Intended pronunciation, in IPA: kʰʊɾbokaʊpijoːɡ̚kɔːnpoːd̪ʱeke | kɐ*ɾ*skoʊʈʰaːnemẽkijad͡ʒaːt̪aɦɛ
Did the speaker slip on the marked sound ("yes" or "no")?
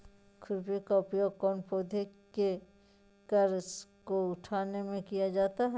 no